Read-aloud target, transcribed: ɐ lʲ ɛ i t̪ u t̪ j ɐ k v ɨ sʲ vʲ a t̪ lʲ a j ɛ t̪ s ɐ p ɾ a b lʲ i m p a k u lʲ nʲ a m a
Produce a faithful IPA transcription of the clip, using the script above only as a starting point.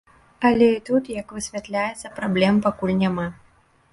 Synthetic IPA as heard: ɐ lʲ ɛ i t̪ u t̪ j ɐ k v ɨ sʲ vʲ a t̪ lʲ a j ɛ t̪ sː ɐ p ɾ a b lʲ ɛ m p a k u lʲ nʲ a m a